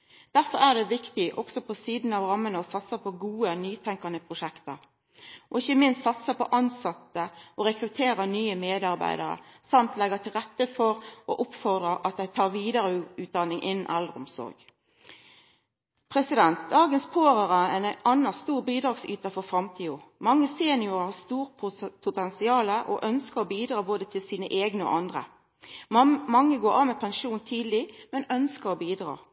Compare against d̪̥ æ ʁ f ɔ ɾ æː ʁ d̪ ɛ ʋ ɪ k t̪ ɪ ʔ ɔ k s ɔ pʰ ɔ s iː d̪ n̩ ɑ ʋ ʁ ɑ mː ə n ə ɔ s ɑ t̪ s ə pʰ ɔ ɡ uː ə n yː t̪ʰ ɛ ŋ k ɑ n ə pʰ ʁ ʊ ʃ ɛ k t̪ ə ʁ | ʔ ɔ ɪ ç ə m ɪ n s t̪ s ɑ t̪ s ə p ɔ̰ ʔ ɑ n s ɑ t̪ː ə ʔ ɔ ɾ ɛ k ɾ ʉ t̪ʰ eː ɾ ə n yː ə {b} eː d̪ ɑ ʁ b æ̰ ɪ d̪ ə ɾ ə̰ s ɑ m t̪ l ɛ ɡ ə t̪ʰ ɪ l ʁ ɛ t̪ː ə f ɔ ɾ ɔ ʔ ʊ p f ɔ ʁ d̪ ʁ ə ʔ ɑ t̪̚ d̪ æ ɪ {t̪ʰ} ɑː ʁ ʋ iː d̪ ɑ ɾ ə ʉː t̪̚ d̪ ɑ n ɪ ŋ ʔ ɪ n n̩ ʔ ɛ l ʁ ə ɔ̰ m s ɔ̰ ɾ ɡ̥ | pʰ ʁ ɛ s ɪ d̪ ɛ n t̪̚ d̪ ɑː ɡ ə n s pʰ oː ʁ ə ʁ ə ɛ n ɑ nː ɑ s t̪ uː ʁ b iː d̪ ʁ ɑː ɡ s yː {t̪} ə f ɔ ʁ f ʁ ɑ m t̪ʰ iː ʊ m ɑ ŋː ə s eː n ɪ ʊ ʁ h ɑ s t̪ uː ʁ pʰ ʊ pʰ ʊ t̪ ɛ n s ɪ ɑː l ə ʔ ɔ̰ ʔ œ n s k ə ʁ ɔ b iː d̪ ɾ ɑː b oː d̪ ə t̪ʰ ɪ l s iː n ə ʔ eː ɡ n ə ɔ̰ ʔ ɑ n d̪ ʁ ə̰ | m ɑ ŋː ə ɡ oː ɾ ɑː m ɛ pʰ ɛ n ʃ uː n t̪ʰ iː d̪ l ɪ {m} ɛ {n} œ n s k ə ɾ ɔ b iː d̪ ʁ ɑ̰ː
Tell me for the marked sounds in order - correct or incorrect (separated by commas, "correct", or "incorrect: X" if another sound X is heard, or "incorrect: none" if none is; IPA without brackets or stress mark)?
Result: incorrect: m, correct, correct, correct, correct